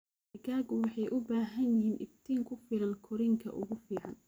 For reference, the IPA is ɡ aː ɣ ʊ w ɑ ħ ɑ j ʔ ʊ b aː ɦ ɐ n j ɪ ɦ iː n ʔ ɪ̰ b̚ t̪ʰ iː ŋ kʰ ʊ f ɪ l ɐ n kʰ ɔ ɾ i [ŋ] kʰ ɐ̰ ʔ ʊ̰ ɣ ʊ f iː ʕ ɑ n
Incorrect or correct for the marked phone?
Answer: correct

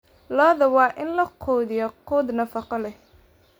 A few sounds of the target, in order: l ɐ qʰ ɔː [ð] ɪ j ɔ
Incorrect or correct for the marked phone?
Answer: correct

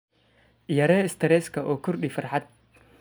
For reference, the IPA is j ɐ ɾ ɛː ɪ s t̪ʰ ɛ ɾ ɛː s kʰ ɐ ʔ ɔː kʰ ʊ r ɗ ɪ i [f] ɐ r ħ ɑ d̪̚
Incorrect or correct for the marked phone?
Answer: correct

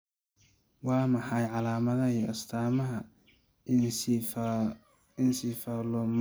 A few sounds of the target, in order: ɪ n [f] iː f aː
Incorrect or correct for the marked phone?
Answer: incorrect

